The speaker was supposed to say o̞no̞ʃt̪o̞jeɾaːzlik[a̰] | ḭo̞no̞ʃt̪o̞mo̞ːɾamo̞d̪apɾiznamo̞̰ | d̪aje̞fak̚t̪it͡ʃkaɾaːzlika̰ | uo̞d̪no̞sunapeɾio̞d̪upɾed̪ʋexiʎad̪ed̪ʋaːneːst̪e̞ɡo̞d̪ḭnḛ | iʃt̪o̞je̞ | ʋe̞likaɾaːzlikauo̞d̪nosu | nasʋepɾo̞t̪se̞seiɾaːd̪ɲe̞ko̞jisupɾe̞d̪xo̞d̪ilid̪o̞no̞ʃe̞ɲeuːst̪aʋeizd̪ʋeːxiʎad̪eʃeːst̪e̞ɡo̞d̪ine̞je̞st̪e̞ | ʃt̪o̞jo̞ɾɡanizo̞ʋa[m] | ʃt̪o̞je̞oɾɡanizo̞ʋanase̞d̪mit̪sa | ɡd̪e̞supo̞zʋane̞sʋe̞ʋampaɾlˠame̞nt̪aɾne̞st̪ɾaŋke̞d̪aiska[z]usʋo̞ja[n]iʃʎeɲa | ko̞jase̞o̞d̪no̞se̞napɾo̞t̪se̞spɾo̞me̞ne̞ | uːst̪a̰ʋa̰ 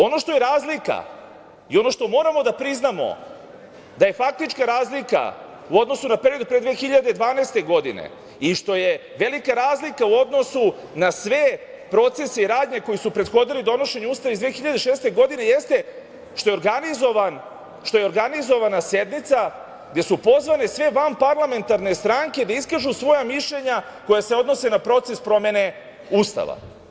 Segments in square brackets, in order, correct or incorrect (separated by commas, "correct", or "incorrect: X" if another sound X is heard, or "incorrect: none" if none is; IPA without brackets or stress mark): correct, incorrect: n, incorrect: ʒ, incorrect: m